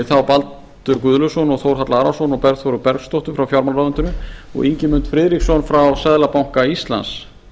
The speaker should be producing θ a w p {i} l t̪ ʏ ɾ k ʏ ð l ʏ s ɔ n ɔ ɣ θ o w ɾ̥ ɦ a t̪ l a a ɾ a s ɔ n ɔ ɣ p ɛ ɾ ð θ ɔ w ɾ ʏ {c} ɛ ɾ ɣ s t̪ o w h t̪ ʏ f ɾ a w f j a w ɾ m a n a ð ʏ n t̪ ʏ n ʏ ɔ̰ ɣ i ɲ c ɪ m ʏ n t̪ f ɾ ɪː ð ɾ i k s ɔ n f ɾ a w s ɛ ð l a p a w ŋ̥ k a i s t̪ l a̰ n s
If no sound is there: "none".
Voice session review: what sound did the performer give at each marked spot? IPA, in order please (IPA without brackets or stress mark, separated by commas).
a, p